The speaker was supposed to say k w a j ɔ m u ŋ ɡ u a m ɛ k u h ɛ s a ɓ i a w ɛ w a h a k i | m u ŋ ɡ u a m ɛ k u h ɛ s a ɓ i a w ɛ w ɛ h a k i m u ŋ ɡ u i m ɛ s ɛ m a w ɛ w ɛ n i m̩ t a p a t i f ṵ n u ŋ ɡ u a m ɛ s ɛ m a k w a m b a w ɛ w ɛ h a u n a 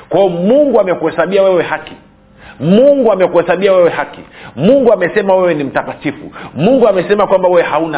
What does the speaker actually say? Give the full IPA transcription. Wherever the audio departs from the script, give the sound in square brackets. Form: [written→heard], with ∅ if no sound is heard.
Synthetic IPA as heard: k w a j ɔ m u ŋ ɡ u a m ɛ k u h ɛ s a ɓ i a w ɛ w [a→ɛ] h a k i | m u ŋ ɡ u a m ɛ k u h ɛ s a ɓ i a w ɛ w ɛ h a k i m u ŋ ɡ u [i→a] m ɛ s ɛ m a w ɛ w ɛ n i m̩ t a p a t i f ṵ [n→m] u ŋ ɡ u a m ɛ s ɛ m a k w a m b a w ɛ w ɛ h a u n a